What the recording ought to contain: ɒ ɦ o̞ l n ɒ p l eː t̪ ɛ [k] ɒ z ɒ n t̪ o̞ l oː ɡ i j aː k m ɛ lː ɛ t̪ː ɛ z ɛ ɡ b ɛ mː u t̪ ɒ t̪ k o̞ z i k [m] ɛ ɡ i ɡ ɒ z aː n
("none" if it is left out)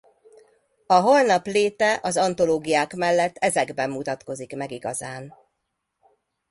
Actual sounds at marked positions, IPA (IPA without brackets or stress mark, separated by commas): ʔ, m